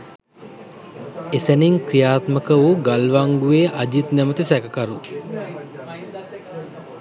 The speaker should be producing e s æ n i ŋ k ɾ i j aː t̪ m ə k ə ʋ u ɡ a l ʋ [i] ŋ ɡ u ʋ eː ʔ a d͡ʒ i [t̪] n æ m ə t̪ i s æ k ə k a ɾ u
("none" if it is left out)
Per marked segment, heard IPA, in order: a, t̪

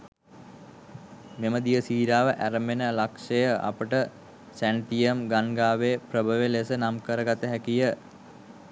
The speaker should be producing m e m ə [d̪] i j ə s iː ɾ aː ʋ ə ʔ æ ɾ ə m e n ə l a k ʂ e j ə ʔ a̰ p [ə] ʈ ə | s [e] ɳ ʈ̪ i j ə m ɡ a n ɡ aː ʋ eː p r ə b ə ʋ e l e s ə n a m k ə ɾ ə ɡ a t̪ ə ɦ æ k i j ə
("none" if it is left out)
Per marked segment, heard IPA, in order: d̪, ə, æ

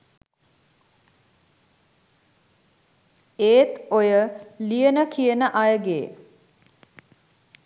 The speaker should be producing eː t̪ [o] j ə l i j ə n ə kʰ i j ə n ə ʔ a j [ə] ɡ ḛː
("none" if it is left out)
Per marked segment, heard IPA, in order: o, ə

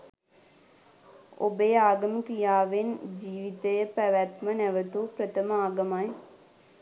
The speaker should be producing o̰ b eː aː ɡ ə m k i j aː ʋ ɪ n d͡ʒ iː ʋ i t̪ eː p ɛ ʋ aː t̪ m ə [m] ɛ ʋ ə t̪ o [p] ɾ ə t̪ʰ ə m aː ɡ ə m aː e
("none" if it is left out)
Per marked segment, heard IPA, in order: n, p

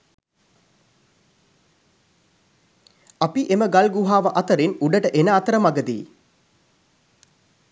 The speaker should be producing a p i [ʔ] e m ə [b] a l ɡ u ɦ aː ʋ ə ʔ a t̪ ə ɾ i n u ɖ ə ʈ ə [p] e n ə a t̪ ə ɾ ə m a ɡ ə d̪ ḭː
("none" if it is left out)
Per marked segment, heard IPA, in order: ʔ, ɡ, ʔ

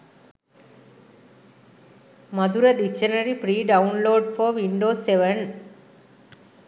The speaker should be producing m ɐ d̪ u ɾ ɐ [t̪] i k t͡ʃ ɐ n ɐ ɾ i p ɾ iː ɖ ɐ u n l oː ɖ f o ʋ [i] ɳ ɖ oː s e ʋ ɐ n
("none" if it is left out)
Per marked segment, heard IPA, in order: d̪, i

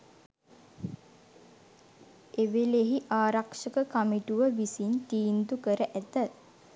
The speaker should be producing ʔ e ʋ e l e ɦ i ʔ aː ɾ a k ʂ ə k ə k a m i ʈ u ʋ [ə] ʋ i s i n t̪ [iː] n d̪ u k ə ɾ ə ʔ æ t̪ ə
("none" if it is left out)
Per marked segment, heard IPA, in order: ə, iː

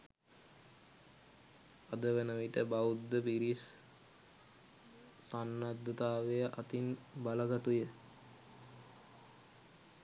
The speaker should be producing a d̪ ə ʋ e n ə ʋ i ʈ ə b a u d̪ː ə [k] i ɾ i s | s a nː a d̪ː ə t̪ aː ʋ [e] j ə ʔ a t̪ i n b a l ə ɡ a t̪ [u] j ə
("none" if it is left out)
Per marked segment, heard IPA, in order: p, e, u

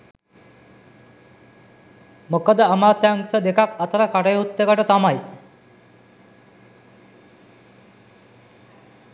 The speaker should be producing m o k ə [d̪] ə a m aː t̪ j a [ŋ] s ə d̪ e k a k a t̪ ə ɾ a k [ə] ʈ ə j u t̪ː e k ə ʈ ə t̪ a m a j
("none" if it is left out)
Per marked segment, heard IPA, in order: d̪, ŋ, a

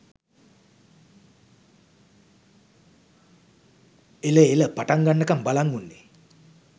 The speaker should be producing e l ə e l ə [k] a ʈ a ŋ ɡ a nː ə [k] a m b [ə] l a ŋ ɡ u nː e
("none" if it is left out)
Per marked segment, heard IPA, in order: p, k, a

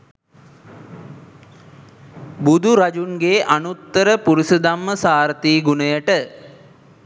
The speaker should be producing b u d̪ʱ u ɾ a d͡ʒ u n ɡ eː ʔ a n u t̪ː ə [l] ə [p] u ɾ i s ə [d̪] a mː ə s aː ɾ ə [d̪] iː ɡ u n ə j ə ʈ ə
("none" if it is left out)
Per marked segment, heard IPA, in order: ɾ, p, d̪, t̪

